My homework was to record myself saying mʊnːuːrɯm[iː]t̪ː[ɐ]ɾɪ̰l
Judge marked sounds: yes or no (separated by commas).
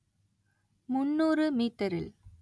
yes, yes